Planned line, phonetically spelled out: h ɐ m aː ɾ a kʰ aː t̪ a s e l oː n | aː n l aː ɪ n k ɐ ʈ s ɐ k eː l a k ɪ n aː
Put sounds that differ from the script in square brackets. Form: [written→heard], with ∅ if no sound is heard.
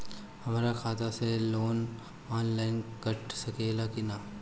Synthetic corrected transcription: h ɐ m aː ɾ a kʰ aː t̪ a s e l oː n | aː n l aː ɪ n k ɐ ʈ s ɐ k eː l a k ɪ n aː